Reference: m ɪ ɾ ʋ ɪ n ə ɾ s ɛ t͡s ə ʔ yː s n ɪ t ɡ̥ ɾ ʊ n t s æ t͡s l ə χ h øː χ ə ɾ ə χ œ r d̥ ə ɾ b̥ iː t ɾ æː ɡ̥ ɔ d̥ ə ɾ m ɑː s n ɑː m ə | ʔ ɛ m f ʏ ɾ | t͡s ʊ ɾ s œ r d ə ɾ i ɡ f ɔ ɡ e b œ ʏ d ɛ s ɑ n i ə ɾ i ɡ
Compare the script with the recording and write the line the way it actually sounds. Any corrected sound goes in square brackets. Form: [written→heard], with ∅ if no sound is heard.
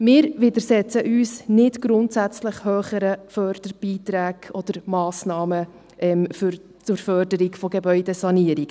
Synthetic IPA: m [ɪ→ɪː] ɾ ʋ ɪ [n→d] ə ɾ s ɛ t͡s ə ʔ yː s n ɪ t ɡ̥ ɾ ʊ n t s æ t͡s l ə χ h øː χ ə ɾ ə [χ→f] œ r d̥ ə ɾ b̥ iː t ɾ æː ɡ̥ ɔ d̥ ə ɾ m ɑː s n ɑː m ə | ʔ ɛ m f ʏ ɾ | t͡s ʊ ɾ [s→f] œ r d ə ɾ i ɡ f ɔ ɡ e b œ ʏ d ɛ s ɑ n i ə ɾ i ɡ